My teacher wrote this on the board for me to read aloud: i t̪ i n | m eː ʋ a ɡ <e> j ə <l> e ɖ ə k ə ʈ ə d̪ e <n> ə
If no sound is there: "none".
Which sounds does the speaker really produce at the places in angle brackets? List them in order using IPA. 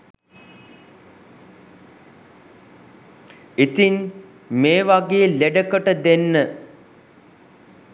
e, l, nː

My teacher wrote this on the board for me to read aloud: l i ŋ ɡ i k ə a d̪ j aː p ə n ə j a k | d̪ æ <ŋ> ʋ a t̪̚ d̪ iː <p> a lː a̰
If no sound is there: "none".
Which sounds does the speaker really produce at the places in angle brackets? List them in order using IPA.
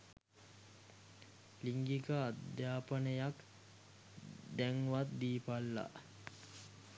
ŋ, p

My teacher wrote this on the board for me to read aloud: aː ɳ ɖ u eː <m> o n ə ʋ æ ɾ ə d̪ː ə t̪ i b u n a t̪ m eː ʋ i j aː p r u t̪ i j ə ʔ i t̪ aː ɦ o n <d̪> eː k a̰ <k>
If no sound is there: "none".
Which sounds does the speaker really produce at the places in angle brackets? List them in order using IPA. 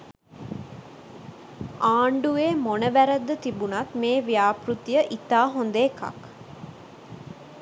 m, d̪, k

